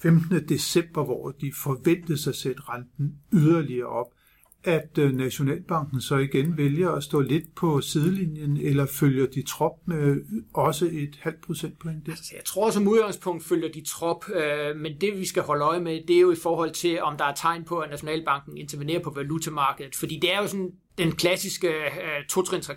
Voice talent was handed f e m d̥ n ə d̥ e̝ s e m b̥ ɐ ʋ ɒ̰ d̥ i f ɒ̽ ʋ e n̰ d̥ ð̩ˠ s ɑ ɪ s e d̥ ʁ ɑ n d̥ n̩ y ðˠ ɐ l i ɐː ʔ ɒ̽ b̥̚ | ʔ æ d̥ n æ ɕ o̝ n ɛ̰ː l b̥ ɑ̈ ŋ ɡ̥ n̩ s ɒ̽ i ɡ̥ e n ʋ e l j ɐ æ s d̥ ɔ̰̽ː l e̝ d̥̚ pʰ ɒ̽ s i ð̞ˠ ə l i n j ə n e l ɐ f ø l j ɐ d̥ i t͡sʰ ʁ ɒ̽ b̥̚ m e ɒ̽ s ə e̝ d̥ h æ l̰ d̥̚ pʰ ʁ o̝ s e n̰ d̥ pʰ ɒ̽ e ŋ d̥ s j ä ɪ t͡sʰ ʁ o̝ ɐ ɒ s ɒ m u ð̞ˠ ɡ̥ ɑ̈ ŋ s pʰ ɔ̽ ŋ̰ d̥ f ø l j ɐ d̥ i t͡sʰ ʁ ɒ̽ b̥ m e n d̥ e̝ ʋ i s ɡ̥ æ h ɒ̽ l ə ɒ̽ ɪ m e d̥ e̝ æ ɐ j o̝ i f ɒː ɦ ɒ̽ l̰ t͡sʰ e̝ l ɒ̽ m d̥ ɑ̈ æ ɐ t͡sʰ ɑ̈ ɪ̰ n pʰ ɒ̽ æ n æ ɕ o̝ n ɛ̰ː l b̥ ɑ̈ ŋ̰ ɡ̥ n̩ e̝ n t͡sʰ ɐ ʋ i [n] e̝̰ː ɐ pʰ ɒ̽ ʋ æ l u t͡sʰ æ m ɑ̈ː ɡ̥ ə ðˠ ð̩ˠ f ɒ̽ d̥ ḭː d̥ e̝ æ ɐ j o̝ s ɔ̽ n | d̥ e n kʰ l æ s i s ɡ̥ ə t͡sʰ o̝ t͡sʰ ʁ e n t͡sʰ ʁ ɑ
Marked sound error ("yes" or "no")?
no